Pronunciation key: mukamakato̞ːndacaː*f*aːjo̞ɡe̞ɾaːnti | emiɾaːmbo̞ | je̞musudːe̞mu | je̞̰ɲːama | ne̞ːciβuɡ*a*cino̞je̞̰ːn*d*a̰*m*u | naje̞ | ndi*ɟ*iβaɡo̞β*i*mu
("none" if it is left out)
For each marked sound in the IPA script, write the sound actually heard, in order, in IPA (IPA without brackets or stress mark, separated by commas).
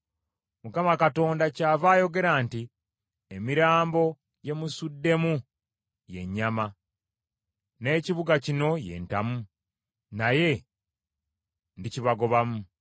v, a, t, m, c, a